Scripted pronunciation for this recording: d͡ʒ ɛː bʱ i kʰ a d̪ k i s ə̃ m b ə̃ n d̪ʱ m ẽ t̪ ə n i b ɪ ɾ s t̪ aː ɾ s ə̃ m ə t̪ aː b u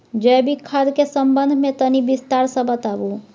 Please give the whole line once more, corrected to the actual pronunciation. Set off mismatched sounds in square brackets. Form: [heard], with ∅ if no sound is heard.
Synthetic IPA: d͡ʒ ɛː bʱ i kʰ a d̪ k [e] s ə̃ m b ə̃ n d̪ʱ m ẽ t̪ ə n i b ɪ [∅] s t̪ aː ɾ s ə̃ [b] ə t̪ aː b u